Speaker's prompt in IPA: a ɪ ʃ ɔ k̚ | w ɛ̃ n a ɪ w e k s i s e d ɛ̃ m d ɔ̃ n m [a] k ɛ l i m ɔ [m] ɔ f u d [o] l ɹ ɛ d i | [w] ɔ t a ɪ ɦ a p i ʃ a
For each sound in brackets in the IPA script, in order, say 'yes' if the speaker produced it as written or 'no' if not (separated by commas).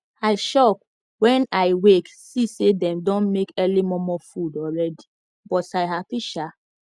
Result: no, yes, no, no